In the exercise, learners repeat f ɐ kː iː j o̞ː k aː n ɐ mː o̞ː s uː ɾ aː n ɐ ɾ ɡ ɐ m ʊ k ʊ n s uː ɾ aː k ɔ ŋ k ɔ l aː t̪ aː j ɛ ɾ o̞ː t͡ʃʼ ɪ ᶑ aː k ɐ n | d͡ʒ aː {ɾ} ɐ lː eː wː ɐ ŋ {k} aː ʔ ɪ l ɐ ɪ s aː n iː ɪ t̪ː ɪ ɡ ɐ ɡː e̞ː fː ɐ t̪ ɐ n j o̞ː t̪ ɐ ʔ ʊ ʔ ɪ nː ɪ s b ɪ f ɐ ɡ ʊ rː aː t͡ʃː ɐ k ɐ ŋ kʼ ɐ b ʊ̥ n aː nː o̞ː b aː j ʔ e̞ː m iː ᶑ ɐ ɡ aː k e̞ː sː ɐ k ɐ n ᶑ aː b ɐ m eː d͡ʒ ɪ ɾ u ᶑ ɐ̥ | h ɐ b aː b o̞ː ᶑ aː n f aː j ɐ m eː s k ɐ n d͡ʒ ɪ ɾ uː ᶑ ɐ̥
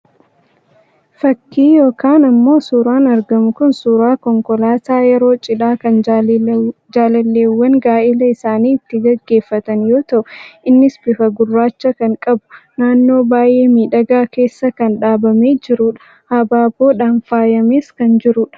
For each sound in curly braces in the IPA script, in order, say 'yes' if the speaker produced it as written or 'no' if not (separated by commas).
no, no